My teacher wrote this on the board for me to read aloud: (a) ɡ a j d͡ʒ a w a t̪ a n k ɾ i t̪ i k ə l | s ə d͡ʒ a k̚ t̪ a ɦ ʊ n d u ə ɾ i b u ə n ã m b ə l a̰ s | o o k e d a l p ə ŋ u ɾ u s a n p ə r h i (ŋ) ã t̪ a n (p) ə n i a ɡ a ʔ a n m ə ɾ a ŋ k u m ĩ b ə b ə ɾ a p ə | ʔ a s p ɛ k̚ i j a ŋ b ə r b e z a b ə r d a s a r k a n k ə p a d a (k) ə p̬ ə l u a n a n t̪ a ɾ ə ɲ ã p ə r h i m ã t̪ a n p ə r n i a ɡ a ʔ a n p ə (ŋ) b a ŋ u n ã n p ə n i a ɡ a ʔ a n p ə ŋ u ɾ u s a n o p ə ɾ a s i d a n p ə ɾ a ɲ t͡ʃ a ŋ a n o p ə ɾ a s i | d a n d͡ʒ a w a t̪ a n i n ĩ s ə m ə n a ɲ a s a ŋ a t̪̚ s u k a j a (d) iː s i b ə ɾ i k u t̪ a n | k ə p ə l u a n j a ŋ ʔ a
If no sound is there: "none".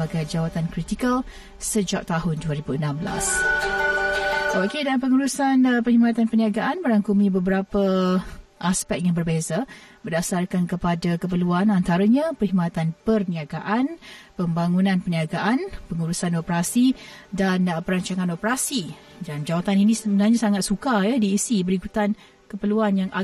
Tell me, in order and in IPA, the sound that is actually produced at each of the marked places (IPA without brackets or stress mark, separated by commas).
a, m, p, k, m, d